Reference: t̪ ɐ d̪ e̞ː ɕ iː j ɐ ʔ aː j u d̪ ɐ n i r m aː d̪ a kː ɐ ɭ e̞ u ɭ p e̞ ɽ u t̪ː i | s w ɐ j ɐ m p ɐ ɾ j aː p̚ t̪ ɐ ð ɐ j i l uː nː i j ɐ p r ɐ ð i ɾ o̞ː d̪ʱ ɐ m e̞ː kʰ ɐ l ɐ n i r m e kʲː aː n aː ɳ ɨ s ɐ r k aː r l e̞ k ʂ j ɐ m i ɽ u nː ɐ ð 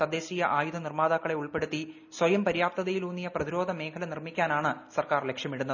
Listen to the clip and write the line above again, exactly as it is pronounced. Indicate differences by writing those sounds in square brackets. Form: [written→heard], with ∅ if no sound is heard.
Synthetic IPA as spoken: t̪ ɐ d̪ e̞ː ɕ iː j ɐ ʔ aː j u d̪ ɐ n i r m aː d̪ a kː ɐ ɭ e̞ u ɭ p e̞ ɽ u t̪ː i | s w ɐ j ɐ m p ɐ ɾ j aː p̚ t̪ ɐ ð ɐ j i l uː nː i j ɐ p r ɐ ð i ɾ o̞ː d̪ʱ ɐ m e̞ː kʰ ɐ l ɐ n i r m [e→i] kʲː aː n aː ɳ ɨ s ɐ r k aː r l e̞ k ʂ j ɐ m i ɽ u nː ɐ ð